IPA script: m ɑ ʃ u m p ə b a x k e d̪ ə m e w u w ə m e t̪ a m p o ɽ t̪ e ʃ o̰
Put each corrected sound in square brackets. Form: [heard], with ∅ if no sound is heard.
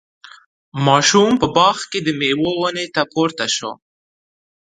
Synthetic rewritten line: m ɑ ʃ u m p ə b [ɑ] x k e d̪ ə m e w [o] w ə [n] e t̪ a [∅] p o [ɾ] t̪ [a] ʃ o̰